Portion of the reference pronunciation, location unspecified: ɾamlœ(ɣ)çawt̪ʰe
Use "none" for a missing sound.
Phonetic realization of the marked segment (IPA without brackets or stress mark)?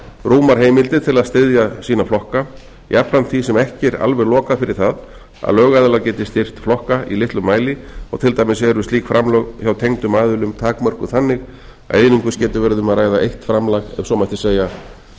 ɣ